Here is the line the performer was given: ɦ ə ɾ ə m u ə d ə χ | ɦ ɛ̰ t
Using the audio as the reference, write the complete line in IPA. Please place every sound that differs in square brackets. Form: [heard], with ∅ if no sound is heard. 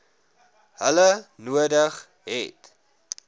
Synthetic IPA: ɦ ə [l] ə [n] u ə d ə χ | ɦ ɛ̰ t